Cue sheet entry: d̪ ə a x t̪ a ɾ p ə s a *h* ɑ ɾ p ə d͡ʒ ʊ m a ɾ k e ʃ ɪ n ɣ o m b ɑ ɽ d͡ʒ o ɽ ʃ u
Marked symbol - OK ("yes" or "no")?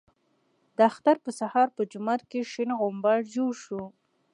yes